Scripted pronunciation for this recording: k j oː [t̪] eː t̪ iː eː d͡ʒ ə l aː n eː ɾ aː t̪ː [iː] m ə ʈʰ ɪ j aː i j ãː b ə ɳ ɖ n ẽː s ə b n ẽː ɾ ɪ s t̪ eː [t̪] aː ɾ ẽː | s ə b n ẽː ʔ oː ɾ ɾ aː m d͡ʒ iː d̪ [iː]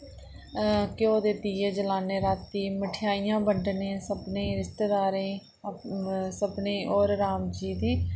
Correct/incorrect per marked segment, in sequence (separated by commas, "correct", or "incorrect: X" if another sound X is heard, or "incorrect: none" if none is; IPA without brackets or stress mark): incorrect: d̪, correct, incorrect: d̪, correct